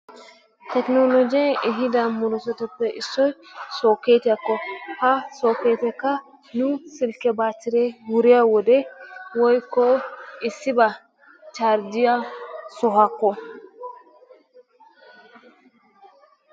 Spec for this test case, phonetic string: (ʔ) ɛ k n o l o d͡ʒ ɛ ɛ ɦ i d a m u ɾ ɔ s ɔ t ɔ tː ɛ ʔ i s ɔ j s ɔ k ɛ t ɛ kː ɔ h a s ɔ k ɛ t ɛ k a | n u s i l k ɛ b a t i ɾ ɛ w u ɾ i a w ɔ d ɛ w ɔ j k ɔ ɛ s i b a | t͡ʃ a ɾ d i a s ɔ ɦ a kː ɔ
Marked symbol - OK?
no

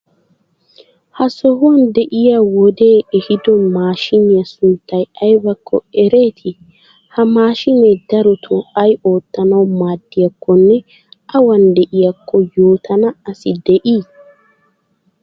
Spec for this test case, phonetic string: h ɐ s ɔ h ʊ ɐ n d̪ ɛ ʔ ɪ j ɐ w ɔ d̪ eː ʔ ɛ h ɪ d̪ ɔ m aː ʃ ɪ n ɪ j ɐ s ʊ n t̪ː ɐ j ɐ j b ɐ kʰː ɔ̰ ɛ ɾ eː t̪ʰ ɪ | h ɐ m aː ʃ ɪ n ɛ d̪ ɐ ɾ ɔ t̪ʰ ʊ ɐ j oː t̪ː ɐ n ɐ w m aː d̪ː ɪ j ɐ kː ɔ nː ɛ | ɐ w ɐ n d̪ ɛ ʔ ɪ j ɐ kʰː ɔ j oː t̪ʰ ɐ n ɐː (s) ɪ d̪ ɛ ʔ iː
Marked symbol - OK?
yes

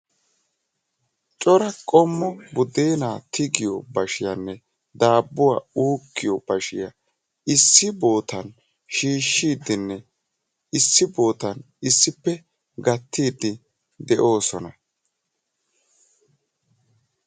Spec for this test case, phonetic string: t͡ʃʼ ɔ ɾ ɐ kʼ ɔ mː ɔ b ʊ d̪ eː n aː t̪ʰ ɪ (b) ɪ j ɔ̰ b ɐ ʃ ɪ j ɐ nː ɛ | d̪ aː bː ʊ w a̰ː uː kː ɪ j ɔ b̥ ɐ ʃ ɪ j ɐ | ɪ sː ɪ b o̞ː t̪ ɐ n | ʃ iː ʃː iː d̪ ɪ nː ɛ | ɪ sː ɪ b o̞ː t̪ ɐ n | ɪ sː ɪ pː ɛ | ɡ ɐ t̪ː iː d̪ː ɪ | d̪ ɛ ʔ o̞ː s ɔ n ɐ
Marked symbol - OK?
no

